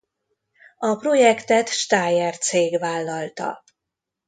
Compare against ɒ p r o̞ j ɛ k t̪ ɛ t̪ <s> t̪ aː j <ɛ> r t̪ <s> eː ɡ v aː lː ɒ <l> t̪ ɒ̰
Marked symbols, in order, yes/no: no, yes, yes, yes

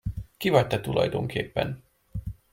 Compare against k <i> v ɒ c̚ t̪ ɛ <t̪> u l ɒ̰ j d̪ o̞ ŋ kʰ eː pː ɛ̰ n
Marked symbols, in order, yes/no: yes, yes

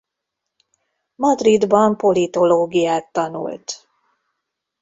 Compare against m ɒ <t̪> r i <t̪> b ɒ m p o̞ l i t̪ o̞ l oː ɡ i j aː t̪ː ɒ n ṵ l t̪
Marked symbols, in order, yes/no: no, no

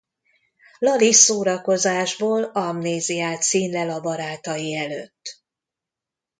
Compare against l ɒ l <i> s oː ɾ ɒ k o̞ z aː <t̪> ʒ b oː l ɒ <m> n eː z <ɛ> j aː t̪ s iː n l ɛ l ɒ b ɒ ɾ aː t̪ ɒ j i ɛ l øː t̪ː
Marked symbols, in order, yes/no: yes, no, yes, no

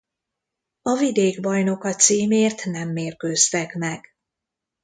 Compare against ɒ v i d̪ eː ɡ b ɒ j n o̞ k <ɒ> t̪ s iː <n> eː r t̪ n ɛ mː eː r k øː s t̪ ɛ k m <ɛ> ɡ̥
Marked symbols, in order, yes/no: yes, no, yes

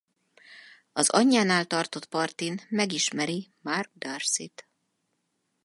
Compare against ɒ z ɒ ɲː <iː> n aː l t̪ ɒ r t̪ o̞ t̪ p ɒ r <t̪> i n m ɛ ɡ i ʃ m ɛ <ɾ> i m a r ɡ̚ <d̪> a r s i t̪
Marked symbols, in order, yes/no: no, yes, yes, yes

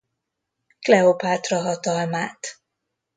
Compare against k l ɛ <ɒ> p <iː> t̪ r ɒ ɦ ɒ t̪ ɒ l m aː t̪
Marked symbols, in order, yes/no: no, no

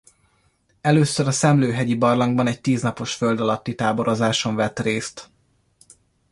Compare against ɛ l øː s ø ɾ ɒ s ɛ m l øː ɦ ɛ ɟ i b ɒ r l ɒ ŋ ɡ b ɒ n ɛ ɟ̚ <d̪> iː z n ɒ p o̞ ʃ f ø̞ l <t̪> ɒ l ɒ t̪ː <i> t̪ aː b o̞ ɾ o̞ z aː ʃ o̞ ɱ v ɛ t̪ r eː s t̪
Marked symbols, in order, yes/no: no, no, yes

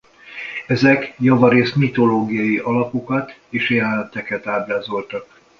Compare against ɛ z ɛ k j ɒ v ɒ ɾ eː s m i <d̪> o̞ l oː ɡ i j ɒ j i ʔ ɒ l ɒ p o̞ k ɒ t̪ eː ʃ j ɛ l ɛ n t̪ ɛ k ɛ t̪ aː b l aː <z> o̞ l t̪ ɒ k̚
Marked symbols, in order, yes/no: no, yes

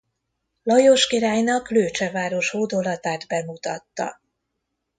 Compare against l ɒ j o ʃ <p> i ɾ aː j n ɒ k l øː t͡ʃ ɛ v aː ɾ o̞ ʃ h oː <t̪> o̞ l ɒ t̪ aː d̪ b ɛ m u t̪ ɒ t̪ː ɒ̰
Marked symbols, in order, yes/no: no, no

